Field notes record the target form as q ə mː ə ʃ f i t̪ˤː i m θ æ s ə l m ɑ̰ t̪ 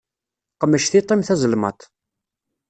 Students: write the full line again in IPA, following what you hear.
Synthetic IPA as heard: q ə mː ə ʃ θ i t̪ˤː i m θ æ z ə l m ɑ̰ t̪